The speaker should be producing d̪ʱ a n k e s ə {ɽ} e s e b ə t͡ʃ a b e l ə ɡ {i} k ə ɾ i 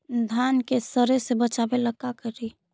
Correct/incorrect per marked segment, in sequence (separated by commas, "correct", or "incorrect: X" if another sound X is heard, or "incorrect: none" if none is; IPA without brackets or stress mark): incorrect: ɾ, incorrect: a